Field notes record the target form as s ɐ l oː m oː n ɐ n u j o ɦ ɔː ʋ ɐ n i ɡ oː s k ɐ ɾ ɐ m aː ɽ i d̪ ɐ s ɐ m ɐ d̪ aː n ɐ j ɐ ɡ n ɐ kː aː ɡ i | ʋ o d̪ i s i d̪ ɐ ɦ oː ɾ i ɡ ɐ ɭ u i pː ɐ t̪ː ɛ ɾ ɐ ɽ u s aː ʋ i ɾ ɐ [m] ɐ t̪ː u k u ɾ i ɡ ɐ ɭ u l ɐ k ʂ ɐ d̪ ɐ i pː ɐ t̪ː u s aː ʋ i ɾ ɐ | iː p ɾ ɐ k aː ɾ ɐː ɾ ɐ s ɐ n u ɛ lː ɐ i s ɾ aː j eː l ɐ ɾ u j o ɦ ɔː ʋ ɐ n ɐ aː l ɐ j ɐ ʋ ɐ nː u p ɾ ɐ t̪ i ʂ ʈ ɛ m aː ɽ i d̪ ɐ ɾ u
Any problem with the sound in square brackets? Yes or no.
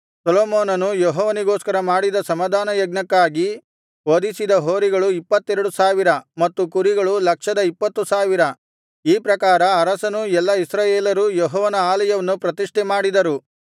no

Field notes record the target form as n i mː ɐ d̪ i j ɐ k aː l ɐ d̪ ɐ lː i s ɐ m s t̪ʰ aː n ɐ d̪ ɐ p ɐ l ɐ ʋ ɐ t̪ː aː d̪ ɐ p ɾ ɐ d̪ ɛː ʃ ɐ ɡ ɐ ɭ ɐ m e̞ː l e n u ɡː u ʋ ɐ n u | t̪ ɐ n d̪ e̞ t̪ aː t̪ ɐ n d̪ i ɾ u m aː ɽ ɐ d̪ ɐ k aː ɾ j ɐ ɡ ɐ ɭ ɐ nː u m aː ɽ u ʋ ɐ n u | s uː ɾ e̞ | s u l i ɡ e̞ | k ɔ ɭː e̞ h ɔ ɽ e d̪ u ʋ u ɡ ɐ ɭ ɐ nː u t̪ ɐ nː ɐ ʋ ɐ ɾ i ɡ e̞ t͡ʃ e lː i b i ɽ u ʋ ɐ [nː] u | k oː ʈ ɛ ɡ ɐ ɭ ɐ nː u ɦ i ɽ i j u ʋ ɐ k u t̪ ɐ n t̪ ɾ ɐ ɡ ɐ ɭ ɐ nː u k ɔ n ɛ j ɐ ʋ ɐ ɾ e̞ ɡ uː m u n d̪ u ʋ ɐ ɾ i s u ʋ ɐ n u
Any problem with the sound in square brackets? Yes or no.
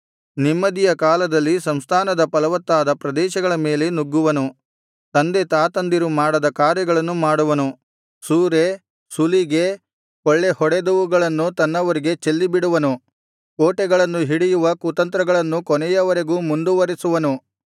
yes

